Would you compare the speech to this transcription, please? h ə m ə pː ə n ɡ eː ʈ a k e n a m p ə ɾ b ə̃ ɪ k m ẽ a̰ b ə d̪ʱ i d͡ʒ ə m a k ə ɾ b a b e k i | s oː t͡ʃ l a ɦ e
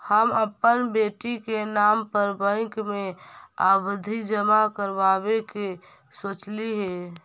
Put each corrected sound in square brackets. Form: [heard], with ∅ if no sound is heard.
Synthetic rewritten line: h ə m ə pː ə n [b] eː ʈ [i] k e n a m p ə ɾ b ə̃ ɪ k m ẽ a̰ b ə d̪ʱ i d͡ʒ ə m a k ə ɾ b a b e k [e] | s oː t͡ʃ l [i] ɦ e